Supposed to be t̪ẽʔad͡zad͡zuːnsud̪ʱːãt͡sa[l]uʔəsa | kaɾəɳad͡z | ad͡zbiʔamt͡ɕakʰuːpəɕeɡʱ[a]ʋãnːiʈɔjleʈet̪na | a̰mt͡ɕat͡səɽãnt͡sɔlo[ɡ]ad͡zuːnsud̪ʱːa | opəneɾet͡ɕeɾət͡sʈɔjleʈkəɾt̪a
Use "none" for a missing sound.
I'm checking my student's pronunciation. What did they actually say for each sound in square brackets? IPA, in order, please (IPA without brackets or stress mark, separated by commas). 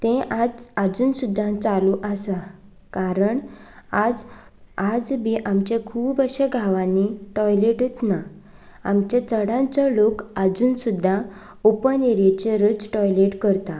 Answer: l, a, k